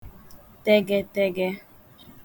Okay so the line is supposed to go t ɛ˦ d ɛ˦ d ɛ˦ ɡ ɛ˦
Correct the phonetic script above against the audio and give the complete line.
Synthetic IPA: t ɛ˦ ɡ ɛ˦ t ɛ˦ ɡ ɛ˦